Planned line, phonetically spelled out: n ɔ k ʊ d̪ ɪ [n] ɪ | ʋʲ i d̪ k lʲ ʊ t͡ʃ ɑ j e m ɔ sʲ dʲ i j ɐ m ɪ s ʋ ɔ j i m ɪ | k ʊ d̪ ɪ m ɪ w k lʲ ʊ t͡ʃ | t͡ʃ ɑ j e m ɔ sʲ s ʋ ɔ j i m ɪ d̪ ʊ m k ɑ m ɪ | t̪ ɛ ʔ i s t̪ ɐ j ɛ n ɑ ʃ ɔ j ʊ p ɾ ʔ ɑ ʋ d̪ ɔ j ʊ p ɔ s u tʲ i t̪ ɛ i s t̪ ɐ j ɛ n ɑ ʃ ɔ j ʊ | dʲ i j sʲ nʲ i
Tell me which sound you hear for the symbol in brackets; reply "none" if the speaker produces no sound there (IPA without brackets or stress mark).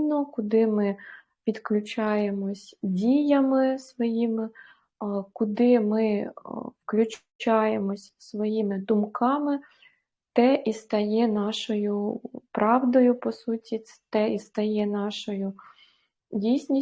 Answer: m